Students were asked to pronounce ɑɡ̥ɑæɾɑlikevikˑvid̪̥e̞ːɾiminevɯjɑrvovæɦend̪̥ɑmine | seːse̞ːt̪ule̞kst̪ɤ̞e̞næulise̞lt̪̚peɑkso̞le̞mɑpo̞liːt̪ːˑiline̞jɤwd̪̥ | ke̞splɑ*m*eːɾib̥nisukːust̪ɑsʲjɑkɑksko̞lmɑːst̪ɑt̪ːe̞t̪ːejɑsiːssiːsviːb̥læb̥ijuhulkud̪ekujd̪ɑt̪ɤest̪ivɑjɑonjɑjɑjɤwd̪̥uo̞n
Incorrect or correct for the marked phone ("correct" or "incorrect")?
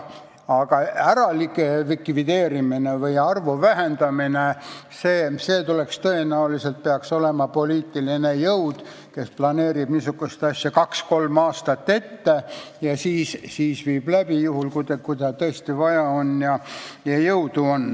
incorrect